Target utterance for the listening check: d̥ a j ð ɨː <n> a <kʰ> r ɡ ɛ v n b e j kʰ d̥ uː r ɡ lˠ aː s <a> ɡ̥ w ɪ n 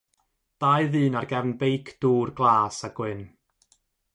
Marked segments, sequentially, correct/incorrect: correct, incorrect, correct

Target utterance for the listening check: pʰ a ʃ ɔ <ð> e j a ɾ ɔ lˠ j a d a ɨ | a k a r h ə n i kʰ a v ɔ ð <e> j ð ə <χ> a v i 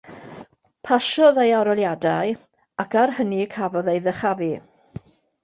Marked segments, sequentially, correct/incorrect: correct, correct, correct

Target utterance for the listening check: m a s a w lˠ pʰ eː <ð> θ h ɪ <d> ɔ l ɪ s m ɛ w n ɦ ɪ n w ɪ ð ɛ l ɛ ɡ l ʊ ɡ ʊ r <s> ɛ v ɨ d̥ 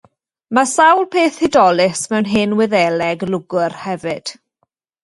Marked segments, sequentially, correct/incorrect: incorrect, correct, incorrect

